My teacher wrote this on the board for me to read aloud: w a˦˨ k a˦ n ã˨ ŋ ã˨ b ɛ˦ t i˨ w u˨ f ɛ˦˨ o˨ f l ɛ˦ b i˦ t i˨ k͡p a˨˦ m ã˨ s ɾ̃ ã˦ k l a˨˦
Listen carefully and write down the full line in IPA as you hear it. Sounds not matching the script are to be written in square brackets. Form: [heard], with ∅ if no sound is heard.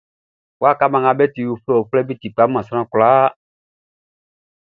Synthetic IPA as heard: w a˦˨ k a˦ [m] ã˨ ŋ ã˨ b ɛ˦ t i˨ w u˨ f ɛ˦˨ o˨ f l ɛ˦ b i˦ t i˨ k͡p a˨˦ m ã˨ s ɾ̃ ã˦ k l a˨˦

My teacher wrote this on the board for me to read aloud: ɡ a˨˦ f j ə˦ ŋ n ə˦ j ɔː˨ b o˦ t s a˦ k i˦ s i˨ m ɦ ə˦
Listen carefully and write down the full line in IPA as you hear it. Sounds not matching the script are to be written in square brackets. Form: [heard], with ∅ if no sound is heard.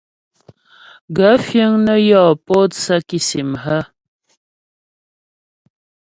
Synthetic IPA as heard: ɡ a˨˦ f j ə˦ ŋ n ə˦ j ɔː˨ [p] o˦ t s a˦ k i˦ s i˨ m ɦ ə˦

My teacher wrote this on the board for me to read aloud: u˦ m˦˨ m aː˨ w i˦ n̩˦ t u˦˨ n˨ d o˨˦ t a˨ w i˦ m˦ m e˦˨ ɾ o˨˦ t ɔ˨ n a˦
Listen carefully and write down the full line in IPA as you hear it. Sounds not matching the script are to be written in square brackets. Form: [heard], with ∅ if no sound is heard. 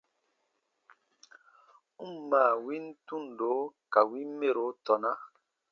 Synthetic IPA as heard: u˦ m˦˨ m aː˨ w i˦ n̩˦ t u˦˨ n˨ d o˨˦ [k] a˨ w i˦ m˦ m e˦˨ ɾ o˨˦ t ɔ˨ n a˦

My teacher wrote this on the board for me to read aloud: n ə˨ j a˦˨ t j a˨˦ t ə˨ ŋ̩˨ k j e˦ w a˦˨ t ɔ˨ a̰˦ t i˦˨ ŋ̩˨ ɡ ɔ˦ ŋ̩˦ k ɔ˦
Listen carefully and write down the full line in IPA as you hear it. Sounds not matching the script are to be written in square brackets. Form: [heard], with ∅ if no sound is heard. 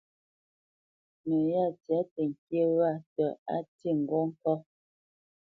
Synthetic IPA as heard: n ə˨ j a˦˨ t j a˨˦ t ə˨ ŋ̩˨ k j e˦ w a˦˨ t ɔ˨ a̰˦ t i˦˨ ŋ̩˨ ɡ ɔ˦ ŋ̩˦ k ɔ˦

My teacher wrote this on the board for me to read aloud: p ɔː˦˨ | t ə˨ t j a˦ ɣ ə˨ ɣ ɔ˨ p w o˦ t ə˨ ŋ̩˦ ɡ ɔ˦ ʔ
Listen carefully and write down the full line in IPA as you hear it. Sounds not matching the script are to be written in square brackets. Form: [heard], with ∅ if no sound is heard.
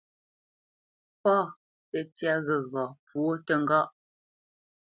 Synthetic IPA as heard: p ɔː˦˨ | t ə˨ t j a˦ ɣ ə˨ ɣ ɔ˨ p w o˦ t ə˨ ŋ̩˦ ɡ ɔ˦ ʔ

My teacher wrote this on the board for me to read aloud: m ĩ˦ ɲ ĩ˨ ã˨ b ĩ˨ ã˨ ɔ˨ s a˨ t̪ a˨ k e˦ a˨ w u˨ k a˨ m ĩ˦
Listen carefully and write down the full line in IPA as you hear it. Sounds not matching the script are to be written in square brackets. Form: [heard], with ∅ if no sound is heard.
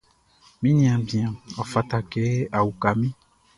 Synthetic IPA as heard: m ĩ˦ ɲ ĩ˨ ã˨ b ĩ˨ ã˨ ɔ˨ [f] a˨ t̪ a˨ k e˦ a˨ w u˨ k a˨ m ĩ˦

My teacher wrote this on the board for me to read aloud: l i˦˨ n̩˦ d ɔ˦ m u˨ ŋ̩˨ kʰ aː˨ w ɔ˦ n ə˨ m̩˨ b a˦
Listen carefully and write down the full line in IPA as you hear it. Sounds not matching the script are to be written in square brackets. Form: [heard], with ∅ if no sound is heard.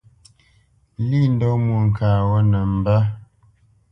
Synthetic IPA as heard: l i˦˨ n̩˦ d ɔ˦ m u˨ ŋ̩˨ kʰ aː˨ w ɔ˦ n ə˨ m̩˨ b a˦

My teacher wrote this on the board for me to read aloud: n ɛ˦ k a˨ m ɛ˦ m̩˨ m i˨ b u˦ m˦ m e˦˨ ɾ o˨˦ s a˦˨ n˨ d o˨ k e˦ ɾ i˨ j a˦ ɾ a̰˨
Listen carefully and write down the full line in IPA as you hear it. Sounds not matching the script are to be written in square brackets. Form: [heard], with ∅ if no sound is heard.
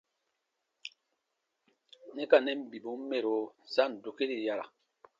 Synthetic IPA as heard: n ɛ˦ k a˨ [n] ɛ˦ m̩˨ [b] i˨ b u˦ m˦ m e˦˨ ɾ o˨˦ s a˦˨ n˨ d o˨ k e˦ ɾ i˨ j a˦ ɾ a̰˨

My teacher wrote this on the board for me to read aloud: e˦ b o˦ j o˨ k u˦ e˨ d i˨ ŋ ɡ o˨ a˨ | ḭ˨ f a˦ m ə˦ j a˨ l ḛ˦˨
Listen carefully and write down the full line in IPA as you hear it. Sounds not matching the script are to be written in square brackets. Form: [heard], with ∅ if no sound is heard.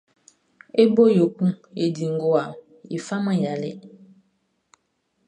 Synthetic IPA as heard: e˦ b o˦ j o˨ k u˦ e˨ d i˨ ŋ ɡ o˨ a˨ | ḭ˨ f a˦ m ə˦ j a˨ l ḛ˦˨

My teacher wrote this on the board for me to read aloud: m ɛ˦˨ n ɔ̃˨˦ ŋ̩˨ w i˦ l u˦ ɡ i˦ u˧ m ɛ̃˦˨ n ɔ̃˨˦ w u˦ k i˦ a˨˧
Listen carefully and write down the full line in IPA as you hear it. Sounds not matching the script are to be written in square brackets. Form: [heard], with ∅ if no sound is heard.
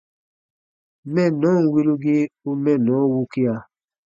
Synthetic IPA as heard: m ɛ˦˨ n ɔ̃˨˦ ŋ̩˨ w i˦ l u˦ ɡ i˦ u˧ m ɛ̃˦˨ n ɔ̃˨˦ w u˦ k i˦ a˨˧

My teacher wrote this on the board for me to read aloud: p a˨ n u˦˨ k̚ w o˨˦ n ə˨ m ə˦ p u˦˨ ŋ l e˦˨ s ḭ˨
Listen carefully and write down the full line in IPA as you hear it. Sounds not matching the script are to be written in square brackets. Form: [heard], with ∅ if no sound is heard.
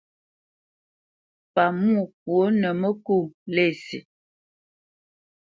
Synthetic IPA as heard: p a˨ [m] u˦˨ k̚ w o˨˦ n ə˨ m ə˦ [k] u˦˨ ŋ l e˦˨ s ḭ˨

